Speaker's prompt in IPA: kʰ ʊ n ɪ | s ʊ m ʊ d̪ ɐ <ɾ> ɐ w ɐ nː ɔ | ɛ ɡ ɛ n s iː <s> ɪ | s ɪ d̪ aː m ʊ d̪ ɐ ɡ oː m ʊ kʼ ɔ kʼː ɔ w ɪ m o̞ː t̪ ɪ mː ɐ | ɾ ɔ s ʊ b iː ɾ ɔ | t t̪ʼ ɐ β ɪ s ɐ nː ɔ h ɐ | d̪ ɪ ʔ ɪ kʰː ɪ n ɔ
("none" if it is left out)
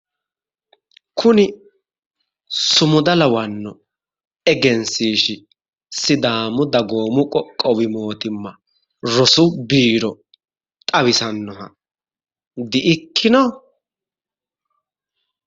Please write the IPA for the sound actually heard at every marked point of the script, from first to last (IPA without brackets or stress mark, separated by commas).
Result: l, ʃ